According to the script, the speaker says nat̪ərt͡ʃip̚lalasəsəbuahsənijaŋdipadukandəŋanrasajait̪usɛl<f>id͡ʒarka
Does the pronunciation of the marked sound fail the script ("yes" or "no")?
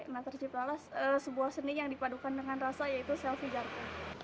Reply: no